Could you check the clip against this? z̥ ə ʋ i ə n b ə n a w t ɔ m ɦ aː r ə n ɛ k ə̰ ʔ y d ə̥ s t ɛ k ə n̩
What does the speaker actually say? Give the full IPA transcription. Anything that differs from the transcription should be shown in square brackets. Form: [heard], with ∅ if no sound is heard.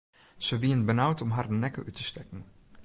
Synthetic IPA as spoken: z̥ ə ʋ i ə n b ə n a w t ɔ m ɦ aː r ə n ɛ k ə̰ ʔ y [t] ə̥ s t ɛ k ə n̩